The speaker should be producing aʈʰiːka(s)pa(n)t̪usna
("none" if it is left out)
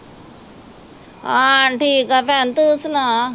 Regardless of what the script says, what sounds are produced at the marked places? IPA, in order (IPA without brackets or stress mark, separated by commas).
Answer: none, n